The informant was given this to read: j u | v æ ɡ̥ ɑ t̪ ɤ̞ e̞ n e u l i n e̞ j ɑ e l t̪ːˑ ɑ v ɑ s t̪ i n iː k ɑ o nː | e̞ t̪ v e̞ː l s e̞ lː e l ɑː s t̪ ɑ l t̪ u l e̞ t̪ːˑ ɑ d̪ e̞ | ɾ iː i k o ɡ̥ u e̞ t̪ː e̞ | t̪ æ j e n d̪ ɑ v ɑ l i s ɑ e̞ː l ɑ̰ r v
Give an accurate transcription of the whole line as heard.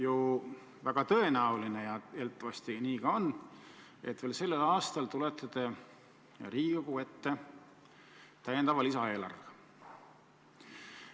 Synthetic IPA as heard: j u | v æ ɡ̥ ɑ t̪ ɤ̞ e̞ n æ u l i n e̞ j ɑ e l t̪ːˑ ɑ v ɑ s t̪ i n iː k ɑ o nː | e̞ t̪ v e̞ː l s e̞ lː e l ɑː s t̪ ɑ l t̪ u l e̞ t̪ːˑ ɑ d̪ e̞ | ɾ iː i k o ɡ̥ u e̞ t̪ː e̞ | t̪ æ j e n d̪ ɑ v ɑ l i s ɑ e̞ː l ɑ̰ r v